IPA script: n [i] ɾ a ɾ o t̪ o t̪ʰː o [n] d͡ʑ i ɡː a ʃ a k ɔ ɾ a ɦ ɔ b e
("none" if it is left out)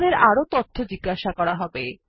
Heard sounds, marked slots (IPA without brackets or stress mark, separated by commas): e, none